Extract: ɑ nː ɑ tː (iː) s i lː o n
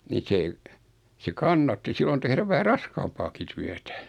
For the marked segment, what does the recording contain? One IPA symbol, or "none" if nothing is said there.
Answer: i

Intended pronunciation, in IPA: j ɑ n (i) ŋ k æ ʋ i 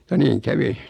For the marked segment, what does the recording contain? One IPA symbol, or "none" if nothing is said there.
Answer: iː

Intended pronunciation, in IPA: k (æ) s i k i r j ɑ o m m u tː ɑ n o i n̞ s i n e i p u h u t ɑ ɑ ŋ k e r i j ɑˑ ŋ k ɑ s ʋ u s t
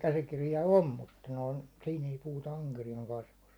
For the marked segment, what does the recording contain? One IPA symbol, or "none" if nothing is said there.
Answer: æ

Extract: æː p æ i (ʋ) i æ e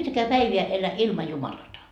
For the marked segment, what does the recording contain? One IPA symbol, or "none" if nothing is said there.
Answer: ʋ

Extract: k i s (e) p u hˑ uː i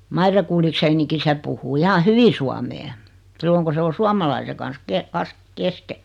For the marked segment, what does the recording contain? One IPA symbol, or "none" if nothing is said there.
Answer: e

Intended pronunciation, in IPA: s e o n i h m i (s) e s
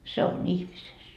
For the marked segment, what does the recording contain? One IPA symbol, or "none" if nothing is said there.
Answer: s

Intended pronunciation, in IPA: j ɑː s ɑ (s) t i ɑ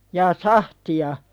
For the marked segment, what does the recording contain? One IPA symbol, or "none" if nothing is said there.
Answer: h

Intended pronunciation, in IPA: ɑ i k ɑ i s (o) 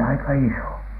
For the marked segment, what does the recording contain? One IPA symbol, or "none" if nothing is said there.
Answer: o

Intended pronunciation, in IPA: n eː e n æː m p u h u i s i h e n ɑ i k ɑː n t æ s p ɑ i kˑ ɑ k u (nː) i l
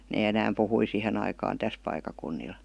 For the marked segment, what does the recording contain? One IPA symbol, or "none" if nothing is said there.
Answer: nː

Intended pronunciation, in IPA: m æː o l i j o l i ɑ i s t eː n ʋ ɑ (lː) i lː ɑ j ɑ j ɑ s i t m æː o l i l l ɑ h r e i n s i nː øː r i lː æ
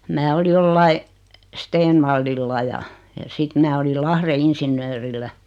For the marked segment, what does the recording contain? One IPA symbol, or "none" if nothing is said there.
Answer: lː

